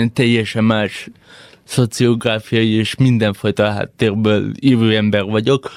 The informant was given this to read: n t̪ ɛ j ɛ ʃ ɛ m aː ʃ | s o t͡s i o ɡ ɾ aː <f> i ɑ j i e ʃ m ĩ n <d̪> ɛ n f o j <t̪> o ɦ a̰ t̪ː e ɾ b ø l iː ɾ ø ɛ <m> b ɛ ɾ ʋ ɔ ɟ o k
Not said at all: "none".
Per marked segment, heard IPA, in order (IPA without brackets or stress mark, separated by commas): f, d̪, t̪, m